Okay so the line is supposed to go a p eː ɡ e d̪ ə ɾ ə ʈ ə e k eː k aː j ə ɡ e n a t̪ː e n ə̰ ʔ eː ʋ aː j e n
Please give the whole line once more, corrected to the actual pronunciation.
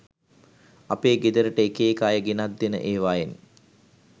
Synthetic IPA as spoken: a p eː ɡ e d̪ ə ɾ ə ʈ ə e k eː k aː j ə ɡ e n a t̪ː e n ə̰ ʔ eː ʋ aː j e n